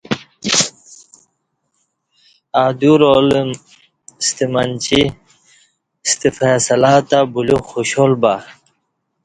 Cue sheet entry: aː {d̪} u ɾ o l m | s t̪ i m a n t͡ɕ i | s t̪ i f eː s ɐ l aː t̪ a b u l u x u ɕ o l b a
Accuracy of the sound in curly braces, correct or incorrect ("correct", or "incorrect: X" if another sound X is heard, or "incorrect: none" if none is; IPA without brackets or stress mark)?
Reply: correct